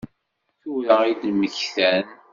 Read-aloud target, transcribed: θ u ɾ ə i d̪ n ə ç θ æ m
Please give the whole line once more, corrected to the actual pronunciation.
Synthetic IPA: θ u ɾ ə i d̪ m ə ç θ æ n